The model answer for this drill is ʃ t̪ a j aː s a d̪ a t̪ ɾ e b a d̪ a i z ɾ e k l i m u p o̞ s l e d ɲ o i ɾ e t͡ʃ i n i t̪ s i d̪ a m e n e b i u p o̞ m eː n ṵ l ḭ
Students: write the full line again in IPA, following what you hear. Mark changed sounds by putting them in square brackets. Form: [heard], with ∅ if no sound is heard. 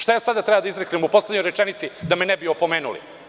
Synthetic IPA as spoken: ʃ t̪ a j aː s a d̪ a t̪ ɾ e b a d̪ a i z ɾ e k l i m u p o̞ s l e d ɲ o [j] ɾ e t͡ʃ [e] n i t̪ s i d̪ a m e n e b i [o] p o̞ m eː n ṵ l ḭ